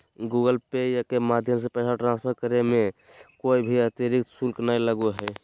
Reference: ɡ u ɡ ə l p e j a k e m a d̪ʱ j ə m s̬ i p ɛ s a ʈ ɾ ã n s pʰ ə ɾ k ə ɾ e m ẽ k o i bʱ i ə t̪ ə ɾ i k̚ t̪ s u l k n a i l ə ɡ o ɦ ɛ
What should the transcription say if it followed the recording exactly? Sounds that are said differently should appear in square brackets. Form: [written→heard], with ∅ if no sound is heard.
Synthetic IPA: ɡ u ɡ ə l p e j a k e m a d̪ʱ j ə m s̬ [i→e] p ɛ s a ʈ ɾ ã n s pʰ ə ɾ k ə ɾ e m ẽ k o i bʱ i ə t̪ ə ɾ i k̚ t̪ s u l k n a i l ə ɡ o ɦ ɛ

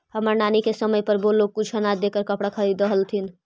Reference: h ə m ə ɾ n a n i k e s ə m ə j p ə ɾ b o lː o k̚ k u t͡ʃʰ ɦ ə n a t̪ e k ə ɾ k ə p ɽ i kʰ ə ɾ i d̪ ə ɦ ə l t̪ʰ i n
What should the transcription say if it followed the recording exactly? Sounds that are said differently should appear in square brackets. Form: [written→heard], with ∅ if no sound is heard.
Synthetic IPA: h ə m ə ɾ n a n i k e s ə m ə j p ə ɾ b o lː o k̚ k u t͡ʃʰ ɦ ə n a [t̪→d̪] e k ə ɾ k ə p ɽ [i→a] kʰ ə ɾ i d̪ ə ɦ ə l t̪ʰ i n

